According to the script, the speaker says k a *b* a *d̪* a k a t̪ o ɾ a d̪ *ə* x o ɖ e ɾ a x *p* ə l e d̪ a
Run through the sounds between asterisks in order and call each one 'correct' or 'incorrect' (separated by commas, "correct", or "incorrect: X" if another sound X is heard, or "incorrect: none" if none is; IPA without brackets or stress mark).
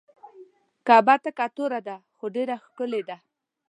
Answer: correct, incorrect: t̪, incorrect: a, incorrect: k